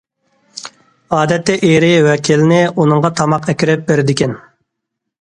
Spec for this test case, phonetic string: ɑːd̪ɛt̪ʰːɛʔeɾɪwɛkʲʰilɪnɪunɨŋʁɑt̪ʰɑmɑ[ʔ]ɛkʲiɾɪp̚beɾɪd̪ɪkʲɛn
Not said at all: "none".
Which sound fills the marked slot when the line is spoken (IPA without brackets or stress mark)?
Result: q